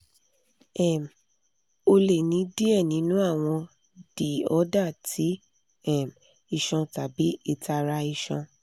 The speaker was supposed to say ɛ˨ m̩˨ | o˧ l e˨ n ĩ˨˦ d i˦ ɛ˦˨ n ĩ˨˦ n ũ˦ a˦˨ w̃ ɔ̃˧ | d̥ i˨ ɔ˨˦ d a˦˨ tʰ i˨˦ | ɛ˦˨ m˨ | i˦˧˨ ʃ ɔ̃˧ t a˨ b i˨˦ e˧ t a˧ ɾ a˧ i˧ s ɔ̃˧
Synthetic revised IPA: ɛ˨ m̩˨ | o˧ l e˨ n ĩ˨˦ d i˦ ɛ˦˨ n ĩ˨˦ n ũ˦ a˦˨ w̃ ɔ̃˧ | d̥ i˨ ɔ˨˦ d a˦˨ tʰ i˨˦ | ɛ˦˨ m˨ | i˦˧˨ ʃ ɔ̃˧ t a˨ b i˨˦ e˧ t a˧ ɾ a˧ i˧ ʃ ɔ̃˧